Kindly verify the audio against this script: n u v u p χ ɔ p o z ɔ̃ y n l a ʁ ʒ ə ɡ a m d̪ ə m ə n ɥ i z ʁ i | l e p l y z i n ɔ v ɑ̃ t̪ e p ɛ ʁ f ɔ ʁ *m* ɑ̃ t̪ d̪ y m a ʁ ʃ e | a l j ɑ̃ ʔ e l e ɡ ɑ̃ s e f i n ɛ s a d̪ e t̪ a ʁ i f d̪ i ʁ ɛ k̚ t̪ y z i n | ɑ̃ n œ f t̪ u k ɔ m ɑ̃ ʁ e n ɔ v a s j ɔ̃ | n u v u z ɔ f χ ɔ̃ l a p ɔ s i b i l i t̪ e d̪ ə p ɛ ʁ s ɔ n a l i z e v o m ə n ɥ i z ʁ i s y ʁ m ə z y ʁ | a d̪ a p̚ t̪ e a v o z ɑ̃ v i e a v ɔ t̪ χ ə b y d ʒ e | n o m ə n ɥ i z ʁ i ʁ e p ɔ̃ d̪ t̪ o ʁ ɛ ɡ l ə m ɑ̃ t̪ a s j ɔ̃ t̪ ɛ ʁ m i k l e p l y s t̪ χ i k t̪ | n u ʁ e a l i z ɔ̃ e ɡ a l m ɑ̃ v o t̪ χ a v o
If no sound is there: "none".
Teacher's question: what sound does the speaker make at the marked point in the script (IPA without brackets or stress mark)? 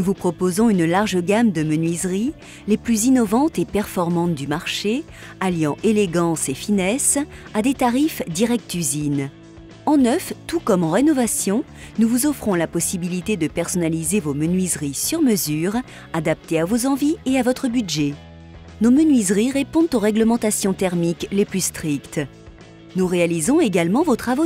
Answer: m